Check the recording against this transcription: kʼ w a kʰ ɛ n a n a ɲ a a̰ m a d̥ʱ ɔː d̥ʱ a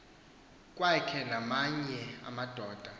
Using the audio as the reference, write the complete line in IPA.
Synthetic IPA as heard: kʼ w a kʰ ɛ n a m a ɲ ɛ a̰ m a d̥ʱ ɔː d̥ʱ a